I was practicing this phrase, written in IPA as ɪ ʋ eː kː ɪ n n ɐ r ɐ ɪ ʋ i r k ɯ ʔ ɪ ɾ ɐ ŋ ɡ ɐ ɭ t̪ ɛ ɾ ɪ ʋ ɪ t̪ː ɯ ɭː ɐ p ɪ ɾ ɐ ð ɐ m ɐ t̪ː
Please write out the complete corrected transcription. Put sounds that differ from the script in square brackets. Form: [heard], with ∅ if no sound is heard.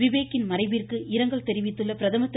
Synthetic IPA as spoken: ɪ ʋ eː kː ɪ n [m] ɐ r ɐ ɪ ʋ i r k ɯ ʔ ɪ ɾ ɐ ŋ ɡ ɐ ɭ t̪ ɛ ɾ ɪ ʋ ɪ t̪ː ɯ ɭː ɐ p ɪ ɾ ɐ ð ɐ m ɐ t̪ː